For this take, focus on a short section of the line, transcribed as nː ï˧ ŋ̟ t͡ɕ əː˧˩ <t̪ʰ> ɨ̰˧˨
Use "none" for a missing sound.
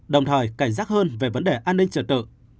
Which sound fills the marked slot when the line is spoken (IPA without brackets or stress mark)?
t̪